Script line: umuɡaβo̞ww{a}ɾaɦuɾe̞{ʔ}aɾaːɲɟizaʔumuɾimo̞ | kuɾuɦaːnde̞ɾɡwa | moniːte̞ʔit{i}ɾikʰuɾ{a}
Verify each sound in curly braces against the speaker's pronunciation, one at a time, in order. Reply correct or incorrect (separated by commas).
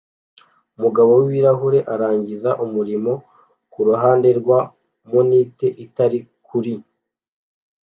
incorrect, correct, incorrect, incorrect